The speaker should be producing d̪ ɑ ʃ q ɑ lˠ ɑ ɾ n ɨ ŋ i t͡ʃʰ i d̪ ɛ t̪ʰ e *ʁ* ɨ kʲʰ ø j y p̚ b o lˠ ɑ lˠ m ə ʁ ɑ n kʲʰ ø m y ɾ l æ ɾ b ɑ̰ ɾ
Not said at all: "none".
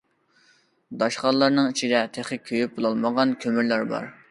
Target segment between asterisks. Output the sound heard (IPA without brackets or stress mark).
χ